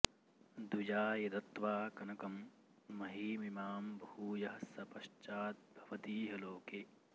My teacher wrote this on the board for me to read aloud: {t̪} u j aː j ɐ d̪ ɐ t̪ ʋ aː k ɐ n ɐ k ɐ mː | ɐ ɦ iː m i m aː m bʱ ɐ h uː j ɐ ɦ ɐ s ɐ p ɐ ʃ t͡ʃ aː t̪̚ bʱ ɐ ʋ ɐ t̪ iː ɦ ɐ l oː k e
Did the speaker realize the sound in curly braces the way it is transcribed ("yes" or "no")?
no